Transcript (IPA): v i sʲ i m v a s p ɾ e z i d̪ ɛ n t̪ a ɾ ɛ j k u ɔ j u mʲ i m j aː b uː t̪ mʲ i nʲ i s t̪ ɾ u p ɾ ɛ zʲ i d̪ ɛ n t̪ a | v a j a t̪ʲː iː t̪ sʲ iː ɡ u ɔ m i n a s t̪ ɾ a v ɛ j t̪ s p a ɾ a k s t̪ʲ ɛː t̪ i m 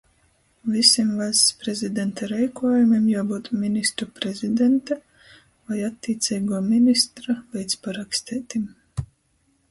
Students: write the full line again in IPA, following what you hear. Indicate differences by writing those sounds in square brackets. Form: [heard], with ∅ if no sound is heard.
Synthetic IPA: v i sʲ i m v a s p ɾ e z i d̪ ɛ n t̪ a ɾ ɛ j k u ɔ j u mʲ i m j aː b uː t̪ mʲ i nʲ i s t̪ ɾ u p ɾ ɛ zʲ i d̪ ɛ n t̪ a | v a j a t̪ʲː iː t̪ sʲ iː ɡ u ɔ m i n [i] s t̪ ɾ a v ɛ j t̪ s p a ɾ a k s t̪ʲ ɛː t̪ i m